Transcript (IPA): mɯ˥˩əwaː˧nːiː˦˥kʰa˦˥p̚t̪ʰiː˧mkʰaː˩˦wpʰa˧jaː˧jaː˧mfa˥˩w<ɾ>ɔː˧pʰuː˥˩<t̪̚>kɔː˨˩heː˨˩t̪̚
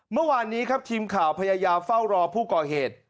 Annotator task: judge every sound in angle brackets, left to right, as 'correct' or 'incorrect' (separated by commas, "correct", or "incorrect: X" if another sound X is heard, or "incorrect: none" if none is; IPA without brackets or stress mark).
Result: correct, incorrect: none